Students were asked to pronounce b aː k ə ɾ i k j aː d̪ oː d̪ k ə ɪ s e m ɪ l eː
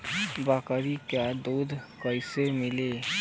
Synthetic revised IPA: b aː k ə ɾ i k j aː d̪ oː d̪ k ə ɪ s e m ɪ l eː